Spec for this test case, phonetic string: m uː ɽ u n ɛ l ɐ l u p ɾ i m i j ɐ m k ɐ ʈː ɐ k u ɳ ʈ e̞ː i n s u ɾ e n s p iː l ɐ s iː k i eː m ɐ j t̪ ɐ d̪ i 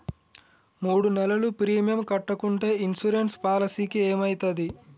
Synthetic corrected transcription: m uː ɽ u n ɛ l ɐ l u p ɾ iː m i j ɐ m k ɐ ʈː ɐ k u ɳ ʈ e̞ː i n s u ɾ e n s p aː l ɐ s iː k i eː m ɐ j t̪ ɐ d̪ i

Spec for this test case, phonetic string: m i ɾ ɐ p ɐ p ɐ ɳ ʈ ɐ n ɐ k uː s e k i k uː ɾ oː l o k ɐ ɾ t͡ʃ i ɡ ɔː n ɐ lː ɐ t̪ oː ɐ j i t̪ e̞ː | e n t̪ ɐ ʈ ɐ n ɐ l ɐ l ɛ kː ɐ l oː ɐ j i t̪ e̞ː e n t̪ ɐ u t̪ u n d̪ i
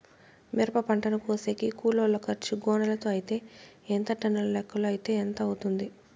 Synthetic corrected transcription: m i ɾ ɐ p ɐ p ɐ ɳ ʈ ɐ n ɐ k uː s e k i k uː l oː l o k ɐ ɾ t͡ʃ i ɡ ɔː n ɐ l ɐ t̪ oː ɐ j i t̪ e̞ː | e n t̪ ɐ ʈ ɐ n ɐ l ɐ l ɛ kː ɐ l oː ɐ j i t̪ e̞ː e n t̪ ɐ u t̪ u n d̪ i

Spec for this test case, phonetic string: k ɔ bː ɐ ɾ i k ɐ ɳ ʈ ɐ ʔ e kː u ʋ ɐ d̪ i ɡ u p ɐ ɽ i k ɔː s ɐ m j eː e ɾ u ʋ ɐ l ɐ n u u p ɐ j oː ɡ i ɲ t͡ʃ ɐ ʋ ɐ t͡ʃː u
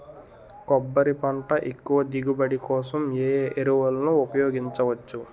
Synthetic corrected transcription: k ɔ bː ɐ ɾ i p ɐ ɳ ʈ ɐ ʔ e kː u ʋ ɐ d̪ i ɡ u b ɐ ɽ i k ɔː s ɐ m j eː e ɾ u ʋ ɐ l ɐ n u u p ɐ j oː ɡ i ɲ t͡ʃ ɐ ʋ ɐ t͡ʃː u

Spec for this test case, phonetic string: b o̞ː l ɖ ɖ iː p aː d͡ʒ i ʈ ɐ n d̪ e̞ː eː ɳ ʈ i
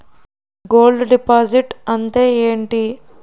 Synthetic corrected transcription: ɡ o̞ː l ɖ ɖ i p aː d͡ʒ i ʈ ɐ n t̪ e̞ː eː ɳ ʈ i

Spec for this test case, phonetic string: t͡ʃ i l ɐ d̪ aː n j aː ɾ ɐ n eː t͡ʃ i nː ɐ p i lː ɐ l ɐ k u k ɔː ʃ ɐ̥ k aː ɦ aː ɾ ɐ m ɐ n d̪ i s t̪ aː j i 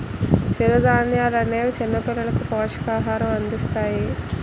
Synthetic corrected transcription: t͡ʃ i ɾ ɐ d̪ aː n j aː l ɐ n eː t͡ʃ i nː ɐ p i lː ɐ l ɐ k u p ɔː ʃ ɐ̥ k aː ɦ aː ɾ ɐ m ɐ n d̪ i s t̪ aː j i

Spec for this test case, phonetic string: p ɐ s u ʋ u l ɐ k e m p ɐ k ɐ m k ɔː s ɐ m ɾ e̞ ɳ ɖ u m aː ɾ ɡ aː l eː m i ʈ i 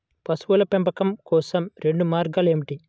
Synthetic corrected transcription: p ɐ s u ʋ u l ɐ p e m p ɐ k ɐ m k ɔː s ɐ m ɾ e̞ ɳ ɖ u m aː ɾ ɡ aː l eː m i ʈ i

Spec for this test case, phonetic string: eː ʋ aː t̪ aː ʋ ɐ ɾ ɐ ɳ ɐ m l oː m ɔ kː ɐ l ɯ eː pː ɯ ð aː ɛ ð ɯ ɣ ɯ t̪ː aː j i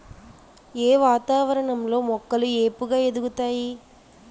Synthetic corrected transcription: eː ʋ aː t̪ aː ʋ ɐ ɾ ɐ ɳ ɐ m l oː m ɔ kː ɐ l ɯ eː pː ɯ ɣ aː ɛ ð ɯ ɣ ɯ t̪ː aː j i

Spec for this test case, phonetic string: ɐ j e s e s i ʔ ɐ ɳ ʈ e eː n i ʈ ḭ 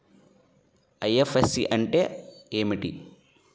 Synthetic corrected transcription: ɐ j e f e s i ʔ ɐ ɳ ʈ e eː m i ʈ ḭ

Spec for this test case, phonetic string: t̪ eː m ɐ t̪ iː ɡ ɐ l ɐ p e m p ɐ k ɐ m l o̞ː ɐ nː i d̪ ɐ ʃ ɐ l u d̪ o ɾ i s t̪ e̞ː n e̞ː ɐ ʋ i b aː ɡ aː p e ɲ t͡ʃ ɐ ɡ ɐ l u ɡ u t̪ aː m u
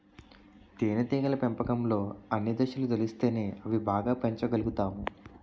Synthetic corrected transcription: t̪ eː n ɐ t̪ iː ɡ ɐ l ɐ p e m p ɐ k ɐ m l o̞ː ɐ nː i d̪ ɐ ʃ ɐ l u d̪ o l i s t̪ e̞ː n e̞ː ɐ ʋ i b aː ɡ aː p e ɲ t͡ʃ ɐ ɡ ɐ l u ɡ u t̪ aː m u

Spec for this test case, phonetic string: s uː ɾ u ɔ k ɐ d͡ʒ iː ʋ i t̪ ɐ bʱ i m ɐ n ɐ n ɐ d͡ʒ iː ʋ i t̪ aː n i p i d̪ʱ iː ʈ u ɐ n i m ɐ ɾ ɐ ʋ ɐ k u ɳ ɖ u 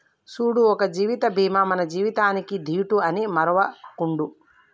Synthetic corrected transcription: s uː ɽ u ɔ k ɐ d͡ʒ iː ʋ i t̪ ɐ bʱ iː m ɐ m ɐ n ɐ d͡ʒ iː ʋ i t̪ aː n i k i d̪ʱ iː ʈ u ɐ n i m ɐ ɾ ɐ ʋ ɐ k u ɳ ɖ u

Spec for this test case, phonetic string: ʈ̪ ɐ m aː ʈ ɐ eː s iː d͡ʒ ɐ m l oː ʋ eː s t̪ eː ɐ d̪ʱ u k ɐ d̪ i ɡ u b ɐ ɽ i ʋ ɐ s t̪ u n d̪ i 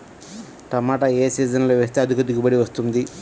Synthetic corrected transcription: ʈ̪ ɐ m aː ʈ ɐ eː s iː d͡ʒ ɐ n l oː ʋ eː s t̪ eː ɐ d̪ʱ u k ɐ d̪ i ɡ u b ɐ ɽ i ʋ ɐ s t̪ u n d̪ i

